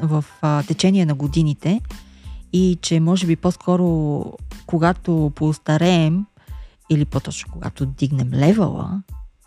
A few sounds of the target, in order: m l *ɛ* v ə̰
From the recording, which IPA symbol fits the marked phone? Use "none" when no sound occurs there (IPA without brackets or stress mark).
ɛ